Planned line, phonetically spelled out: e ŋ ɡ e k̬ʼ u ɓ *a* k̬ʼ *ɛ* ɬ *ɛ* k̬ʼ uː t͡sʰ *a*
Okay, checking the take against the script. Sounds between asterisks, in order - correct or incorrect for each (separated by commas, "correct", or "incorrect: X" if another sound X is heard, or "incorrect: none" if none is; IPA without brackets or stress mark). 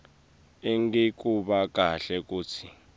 correct, incorrect: a, correct, incorrect: i